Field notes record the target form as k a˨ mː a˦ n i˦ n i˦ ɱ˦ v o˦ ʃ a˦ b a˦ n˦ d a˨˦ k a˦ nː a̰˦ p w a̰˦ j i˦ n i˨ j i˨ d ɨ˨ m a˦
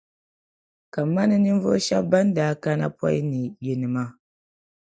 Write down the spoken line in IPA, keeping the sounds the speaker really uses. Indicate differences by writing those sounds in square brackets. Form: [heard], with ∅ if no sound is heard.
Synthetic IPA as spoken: k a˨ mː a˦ n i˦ n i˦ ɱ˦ v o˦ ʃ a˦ b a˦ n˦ d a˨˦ k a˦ [n] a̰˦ p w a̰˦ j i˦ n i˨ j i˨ [n] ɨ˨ m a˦